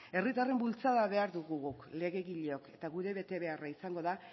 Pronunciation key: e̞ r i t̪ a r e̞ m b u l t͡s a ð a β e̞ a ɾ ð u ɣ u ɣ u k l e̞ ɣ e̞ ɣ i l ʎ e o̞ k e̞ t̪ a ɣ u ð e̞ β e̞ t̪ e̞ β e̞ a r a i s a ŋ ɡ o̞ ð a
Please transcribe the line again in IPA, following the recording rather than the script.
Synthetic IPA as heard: e̞ r i t̪ a r e̞ m b u l t͡s a ð a β e̞ a ɾ ð u ɣ u ɣ u k l e̞ ɣ e̞ ɣ i ʎ e o̞ k e̞ t̪ a ɣ u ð e̞ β e̞ t̪ e̞ β e̞ a r a i s a ŋ ɡ o̞ ð a